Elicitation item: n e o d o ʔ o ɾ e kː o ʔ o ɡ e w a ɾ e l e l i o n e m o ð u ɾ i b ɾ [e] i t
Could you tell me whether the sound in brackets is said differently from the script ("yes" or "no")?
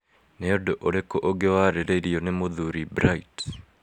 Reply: yes